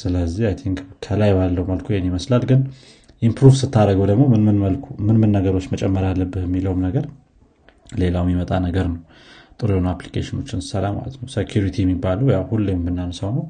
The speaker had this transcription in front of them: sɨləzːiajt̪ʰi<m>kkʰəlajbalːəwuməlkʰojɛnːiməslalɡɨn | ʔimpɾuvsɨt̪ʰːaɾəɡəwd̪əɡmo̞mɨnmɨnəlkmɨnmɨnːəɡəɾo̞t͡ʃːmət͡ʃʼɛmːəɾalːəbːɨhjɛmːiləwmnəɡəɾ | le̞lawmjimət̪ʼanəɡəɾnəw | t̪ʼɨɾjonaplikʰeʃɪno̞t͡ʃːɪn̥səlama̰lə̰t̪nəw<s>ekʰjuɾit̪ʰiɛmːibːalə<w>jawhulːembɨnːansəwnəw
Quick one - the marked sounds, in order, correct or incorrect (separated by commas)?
incorrect, correct, correct